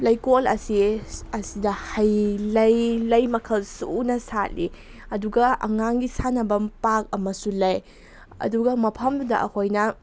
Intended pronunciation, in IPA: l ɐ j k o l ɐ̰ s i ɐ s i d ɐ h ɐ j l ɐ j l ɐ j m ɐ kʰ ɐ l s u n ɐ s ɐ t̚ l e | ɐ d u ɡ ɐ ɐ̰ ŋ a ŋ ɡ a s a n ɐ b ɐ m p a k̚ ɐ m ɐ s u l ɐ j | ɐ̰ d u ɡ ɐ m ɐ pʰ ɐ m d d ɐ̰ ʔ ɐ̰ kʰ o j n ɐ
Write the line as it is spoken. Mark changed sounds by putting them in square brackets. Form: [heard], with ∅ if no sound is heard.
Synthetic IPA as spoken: l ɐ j k o l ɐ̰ s i ɐ s i d ɐ h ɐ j l ɐ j l ɐ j m ɐ kʰ ɐ l s u n ɐ s [a] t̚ l [i] | ɐ d u ɡ ɐ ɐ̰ ŋ a ŋ ɡ [i] s a n ɐ b ɐ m p a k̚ ɐ m ɐ s u l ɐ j | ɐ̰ d u ɡ ɐ m ɐ pʰ ɐ m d d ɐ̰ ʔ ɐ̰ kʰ o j n ɐ

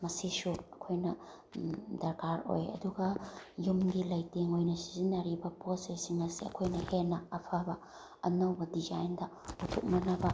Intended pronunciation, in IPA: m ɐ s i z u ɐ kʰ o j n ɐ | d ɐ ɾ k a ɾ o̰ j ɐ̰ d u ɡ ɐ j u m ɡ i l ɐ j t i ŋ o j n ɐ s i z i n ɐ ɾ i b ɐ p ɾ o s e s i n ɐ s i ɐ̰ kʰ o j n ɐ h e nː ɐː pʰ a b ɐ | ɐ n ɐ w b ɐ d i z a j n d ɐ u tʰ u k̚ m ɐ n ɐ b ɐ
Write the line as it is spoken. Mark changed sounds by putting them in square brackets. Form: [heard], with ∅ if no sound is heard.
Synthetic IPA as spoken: m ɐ s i [s] u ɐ kʰ o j n ɐ | d ɐ ɾ k a ɾ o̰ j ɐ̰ d u ɡ ɐ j u m ɡ i l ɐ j t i ŋ o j n ɐ s i z i n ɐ ɾ i b ɐ p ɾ o s e s i [ŋ] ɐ s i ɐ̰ kʰ o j n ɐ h e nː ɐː pʰ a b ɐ | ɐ n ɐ w b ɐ d i z a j n d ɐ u tʰ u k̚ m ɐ n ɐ b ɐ

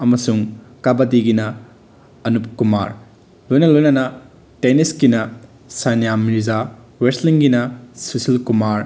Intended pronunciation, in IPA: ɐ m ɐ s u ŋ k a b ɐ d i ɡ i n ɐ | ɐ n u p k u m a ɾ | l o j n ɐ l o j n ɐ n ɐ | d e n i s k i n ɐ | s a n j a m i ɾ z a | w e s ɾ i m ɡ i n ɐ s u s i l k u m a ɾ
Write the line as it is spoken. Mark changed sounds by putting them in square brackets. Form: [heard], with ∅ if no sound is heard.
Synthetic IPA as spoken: ɐ m ɐ s u ŋ k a b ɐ d i ɡ i n ɐ | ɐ n u p k u m a ɾ | l o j n ɐ l o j n ɐ n ɐ | [t] e n i s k i n ɐ | s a n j a m i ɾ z a | w e s [l] i [ŋ] ɡ i n ɐ s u s i l k u m a ɾ

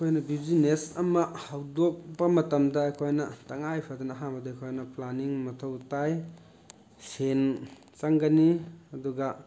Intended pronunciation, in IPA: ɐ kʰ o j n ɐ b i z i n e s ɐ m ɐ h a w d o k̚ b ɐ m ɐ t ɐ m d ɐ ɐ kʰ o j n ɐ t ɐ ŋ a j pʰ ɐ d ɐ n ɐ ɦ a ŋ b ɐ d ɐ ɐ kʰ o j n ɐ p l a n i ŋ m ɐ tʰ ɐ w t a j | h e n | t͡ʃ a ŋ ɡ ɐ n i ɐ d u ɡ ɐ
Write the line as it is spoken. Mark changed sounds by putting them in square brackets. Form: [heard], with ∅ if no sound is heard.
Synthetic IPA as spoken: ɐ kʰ o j n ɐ b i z i n e s ɐ m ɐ h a w d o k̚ b ɐ m ɐ t ɐ m d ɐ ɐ kʰ o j n ɐ t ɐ ŋ a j pʰ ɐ d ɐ n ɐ ɦ a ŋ b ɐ d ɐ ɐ kʰ o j n ɐ p l a n i ŋ m ɐ tʰ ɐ w t a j | [s] e n | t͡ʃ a ŋ ɡ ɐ n i ɐ d u ɡ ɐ

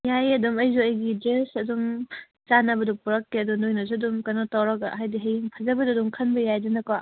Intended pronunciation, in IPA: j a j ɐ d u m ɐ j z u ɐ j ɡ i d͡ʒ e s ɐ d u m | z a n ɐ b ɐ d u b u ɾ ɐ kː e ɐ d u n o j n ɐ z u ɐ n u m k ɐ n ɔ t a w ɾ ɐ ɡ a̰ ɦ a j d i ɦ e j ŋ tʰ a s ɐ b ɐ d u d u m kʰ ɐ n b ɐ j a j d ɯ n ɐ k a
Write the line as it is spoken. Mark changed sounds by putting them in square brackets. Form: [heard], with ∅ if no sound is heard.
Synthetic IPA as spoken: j a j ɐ d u m ɐ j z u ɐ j ɡ i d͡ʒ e s ɐ d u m | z a n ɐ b ɐ d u [p] u ɾ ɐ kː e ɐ d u n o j n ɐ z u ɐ [d] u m k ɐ n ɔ t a w ɾ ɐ ɡ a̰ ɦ a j d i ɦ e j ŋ [pʰ] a [z] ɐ b ɐ d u d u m kʰ ɐ n b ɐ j a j d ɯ n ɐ k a

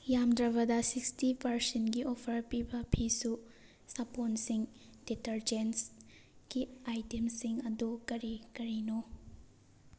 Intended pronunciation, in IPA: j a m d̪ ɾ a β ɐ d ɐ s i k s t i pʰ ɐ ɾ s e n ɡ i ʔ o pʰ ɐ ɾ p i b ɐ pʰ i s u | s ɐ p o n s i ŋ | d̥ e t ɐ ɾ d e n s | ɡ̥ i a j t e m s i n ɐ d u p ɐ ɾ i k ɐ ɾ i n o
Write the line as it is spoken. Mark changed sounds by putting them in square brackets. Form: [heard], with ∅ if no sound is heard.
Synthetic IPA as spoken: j a m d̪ ɾ [ɐ] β ɐ d ɐ s i k s t i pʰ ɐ ɾ s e n ɡ i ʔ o pʰ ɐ ɾ p i b ɐ pʰ i s u | s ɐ p o n s i ŋ | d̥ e t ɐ ɾ [d͡ʒ] e n s | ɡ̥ i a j t e m s i [ŋ] ɐ d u [k] ɐ ɾ i k ɐ ɾ i n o

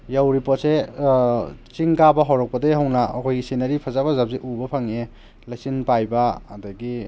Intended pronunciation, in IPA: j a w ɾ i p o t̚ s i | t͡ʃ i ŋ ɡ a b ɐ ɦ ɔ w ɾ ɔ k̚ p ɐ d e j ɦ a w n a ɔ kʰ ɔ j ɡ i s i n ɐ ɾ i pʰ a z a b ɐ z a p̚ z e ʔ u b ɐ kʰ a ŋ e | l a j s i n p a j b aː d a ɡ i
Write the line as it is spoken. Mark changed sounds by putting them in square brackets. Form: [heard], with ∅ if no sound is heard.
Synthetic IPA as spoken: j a w ɾ i p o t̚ s [e] | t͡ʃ i ŋ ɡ a b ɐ ɦ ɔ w ɾ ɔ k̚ p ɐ d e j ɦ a w n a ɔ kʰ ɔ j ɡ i s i n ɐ ɾ i pʰ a z a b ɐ z a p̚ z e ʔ u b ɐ [pʰ] a ŋ e | l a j s i n p a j b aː d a ɡ i

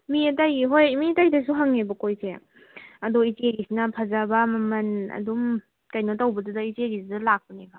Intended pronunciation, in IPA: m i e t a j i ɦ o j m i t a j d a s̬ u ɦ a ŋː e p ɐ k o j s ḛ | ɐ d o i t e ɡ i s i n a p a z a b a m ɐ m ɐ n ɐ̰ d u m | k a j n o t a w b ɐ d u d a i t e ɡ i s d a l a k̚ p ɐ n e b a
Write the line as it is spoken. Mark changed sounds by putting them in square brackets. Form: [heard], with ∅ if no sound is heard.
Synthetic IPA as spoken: m i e t a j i ɦ o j m i t a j d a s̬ u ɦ a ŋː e [b] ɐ k o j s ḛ | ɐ d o i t e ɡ i s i n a [pʰ] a z a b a m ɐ m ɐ n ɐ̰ d u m | k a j n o t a w b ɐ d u d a i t e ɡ i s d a l a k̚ p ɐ n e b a

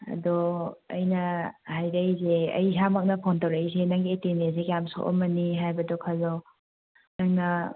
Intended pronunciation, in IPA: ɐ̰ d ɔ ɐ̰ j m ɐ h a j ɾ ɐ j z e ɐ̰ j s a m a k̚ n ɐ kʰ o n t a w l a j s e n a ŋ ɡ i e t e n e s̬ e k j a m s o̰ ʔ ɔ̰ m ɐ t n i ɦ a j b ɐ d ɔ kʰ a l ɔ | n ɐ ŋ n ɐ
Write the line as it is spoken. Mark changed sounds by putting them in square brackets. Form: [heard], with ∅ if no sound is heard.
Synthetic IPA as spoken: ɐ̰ d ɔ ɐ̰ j [n] ɐ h a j ɾ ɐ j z e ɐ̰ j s a m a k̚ n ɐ [pʰ] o n t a w [ɾ] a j s e n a ŋ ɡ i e t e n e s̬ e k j a m s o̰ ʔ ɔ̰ m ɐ [∅] n i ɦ a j b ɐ d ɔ kʰ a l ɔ | n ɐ ŋ n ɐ

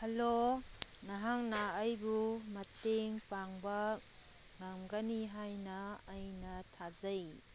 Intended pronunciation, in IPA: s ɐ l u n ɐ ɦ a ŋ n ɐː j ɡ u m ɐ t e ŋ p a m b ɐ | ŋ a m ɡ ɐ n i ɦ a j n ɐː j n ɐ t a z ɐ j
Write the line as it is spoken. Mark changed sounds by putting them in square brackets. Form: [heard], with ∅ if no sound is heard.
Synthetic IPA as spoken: [h] ɐ l [o] n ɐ ɦ a ŋ n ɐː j [b] u m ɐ t e ŋ p a [ŋ] b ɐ | ŋ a m ɡ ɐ n i ɦ a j n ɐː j n ɐ [tʰ] a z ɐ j

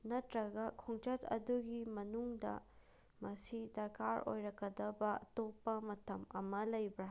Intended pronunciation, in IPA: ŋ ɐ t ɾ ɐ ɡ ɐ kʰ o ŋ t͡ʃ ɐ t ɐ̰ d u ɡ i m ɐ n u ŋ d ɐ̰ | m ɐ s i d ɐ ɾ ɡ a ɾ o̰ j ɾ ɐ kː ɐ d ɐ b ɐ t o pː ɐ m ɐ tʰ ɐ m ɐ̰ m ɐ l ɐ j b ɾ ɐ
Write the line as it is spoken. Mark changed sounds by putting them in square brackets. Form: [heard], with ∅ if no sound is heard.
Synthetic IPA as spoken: [n] ɐ t ɾ ɐ ɡ ɐ kʰ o ŋ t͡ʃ ɐ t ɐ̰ d u ɡ i m ɐ n u ŋ d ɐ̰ | m ɐ s i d ɐ ɾ [k] a ɾ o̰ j ɾ ɐ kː ɐ d ɐ b ɐ t o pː ɐ m ɐ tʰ ɐ m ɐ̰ m ɐ l ɐ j b ɾ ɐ

